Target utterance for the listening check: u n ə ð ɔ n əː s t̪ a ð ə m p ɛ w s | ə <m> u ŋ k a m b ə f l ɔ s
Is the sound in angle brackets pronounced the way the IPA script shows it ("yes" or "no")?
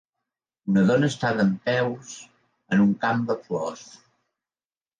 no